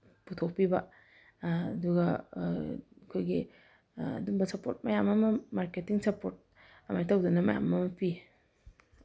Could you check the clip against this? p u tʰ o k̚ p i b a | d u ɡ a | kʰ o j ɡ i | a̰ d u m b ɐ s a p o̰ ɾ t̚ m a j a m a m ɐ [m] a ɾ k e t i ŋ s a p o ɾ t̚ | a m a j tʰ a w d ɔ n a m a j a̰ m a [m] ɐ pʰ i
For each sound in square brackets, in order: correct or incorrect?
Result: correct, correct

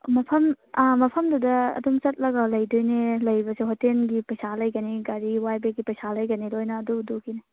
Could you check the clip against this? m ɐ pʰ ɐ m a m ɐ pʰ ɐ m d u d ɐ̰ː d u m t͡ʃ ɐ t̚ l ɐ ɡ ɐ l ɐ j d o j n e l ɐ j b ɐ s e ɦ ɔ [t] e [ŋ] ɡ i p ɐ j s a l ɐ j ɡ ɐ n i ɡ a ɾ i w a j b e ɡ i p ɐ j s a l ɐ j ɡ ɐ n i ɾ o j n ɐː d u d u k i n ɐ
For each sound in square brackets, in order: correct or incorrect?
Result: correct, incorrect

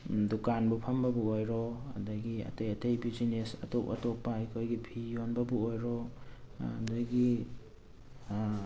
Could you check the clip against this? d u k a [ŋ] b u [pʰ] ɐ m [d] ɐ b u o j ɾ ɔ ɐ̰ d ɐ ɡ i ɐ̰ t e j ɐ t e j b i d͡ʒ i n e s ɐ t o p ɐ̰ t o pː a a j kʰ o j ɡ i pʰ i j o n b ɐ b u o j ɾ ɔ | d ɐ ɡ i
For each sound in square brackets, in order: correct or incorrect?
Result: incorrect, correct, incorrect

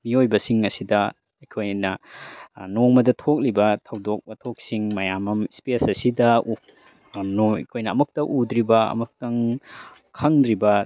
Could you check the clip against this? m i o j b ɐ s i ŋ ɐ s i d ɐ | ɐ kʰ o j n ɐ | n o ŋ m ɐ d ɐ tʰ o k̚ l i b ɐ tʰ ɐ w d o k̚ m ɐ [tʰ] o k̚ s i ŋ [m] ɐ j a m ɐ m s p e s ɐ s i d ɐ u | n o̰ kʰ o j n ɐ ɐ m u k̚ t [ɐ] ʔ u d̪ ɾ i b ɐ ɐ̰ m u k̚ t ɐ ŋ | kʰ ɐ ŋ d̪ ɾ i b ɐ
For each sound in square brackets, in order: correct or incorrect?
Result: correct, correct, correct

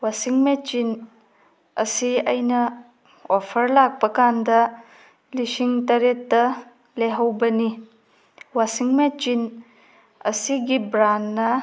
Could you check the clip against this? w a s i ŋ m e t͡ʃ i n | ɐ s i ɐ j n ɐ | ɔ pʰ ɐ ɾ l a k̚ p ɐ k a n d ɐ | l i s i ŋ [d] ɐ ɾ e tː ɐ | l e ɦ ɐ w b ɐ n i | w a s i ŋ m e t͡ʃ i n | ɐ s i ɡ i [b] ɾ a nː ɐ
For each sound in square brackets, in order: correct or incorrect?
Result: incorrect, correct

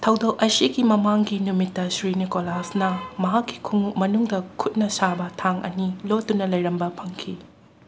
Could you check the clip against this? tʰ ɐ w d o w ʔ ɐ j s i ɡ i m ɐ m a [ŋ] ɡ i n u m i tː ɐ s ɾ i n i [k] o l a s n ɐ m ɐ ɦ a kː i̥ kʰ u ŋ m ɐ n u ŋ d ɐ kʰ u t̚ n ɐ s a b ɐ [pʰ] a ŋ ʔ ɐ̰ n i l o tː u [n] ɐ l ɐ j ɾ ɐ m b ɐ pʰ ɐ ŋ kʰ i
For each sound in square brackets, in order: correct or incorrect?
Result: correct, correct, incorrect, correct

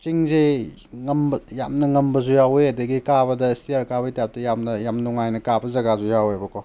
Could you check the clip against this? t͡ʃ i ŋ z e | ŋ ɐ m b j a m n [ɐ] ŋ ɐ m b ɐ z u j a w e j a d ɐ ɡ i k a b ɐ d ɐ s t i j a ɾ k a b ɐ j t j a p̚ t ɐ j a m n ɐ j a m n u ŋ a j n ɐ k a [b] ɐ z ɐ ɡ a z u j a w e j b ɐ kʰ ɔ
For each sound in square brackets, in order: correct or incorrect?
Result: correct, correct

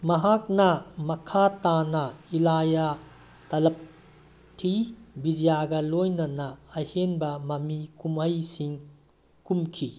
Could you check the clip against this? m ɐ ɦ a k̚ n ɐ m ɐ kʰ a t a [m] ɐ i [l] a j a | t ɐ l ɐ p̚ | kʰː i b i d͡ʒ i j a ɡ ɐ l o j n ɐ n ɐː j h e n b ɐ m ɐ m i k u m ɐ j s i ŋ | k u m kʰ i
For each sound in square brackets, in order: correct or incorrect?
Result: incorrect, correct

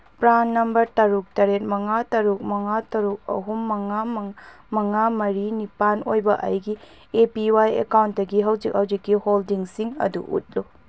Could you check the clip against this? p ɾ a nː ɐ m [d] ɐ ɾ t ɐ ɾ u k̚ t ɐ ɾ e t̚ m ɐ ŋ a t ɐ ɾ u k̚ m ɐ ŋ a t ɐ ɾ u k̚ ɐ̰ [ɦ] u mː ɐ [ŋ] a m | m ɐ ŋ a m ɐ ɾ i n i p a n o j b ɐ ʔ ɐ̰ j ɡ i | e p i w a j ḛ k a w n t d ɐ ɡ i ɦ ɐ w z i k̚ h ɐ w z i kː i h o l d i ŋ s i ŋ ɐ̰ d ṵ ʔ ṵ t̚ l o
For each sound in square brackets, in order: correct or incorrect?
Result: incorrect, correct, correct

